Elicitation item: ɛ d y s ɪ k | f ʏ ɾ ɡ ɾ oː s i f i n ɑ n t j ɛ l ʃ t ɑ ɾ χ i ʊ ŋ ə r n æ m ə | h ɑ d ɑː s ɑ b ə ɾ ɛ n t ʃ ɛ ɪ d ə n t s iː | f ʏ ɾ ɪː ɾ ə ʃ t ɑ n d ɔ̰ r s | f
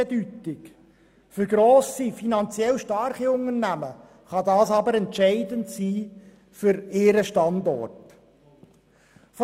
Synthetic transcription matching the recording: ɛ d y t ɪ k | f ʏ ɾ ɡ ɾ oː s i f i n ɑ n t͡s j ɛ l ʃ t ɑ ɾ χ i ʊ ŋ ə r n æ m ə | χ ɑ d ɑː s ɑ b ə ɾ ɛ n t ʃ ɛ ɪ d ə n t s iː | f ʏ ɾ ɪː ɾ ə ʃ t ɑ n d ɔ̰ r t | f